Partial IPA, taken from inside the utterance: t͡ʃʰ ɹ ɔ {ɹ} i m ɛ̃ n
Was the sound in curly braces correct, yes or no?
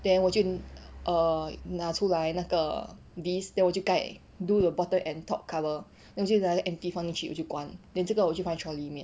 no